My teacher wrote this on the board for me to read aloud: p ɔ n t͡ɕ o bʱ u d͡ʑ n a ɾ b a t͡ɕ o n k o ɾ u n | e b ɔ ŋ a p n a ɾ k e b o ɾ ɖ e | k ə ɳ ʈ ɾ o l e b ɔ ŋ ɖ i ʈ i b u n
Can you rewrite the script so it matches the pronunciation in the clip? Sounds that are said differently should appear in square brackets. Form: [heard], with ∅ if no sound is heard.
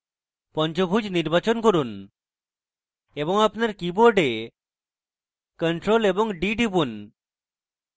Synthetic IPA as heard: p ɔ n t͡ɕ o bʱ u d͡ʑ n [i] ɾ b a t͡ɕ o n k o ɾ u n | e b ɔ ŋ a p n a ɾ k [i] b o ɾ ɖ e | k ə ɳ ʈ ɾ o l e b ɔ ŋ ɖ i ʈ i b u n